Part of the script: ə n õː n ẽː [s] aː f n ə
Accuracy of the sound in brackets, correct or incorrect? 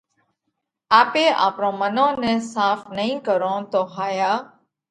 correct